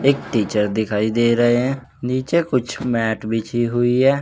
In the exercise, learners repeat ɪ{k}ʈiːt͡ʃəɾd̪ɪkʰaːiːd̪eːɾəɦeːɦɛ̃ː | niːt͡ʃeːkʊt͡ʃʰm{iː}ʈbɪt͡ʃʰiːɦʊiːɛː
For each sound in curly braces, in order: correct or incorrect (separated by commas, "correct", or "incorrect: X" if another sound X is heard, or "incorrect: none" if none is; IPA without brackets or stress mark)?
correct, incorrect: ɛː